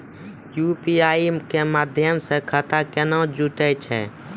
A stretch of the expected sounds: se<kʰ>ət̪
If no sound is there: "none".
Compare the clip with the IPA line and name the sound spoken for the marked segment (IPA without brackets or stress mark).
kʰ